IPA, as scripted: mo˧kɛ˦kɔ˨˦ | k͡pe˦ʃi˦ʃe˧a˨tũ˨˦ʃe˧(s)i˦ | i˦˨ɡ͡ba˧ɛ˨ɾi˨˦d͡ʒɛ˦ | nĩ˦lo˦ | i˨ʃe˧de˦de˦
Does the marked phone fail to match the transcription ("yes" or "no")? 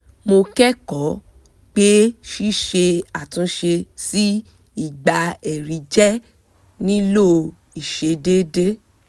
no